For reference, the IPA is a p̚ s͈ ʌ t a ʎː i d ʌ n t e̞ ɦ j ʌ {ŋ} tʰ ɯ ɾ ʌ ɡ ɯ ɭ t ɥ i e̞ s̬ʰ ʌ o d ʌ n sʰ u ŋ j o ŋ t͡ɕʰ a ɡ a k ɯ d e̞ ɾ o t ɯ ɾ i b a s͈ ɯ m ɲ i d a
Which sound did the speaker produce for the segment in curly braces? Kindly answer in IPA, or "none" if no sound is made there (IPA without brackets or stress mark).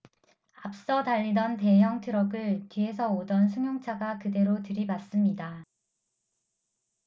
ŋ